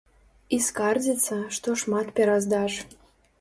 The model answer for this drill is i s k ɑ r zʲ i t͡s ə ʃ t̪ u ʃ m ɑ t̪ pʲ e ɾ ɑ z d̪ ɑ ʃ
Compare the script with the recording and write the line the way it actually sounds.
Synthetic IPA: i s k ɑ r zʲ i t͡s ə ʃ t̪ o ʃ m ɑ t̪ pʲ e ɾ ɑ z d̪ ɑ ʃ